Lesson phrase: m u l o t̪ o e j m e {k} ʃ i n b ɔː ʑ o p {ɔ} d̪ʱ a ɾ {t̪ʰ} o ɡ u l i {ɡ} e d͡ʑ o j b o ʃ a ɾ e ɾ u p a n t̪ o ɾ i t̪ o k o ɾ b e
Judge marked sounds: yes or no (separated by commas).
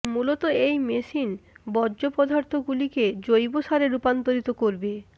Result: no, yes, yes, no